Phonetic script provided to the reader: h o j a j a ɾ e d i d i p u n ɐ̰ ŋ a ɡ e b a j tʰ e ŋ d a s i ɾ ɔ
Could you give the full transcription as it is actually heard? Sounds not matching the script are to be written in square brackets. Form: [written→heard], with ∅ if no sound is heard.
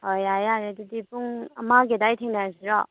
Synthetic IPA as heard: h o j a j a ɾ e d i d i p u [n→ŋ] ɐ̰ [ŋ→m] a ɡ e [b→d] a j tʰ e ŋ [d→n] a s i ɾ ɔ